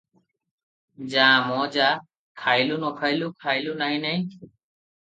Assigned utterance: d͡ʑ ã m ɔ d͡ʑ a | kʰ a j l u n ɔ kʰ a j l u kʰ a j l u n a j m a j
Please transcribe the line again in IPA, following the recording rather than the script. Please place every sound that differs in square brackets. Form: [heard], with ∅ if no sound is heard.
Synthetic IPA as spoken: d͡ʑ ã m ɔ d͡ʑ a | kʰ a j l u n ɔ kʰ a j l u kʰ a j l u n a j [n] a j